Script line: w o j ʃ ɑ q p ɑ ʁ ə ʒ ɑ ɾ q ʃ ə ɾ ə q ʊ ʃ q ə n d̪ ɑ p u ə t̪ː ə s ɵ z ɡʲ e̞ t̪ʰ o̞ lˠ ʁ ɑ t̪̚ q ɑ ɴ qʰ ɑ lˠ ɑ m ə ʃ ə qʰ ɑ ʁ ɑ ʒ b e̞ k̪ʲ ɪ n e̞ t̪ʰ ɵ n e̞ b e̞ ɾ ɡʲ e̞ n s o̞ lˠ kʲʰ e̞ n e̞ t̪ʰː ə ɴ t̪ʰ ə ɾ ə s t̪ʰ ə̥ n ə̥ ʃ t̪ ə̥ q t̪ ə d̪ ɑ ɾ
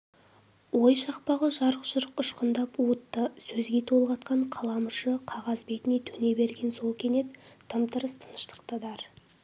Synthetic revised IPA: w o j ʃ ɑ q p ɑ ʁ ə ʒ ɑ ɾ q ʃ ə ɾ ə q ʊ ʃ q ə n d̪ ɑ p u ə t̪ː ə s ɵ z ɡʲ e̞ t̪ʰ o̞ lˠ ʁ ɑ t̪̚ q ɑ ɴ qʰ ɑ lˠ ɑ m ə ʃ ə qʰ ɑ ʁ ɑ z b e̞ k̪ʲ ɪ n e̞ t̪ʰ ɵ n e̞ b e̞ ɾ ɡʲ e̞ n s o̞ lˠ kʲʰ e̞ n e̞ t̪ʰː ə m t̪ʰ ə ɾ ə s t̪ʰ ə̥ n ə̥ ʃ t̪ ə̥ q t̪ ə d̪ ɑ ɾ